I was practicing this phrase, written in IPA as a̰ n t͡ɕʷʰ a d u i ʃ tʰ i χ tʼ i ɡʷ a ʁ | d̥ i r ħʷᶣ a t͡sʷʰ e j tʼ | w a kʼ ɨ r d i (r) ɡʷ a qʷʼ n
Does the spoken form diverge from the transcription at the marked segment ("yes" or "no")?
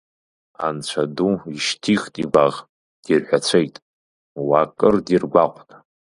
no